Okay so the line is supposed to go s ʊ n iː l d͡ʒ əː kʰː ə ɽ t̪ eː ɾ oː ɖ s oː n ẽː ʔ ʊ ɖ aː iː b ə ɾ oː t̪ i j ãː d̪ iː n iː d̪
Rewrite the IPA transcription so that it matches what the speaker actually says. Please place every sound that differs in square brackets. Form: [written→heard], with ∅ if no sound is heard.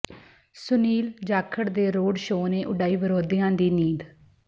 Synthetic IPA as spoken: s ʊ n iː l d͡ʒ [əː→aː] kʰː ə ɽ [t̪→d̪] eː ɾ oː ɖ [s→ʃ] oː n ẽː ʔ ʊ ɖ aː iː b ə ɾ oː [t̪→d̪] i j ãː d̪ iː n iː d̪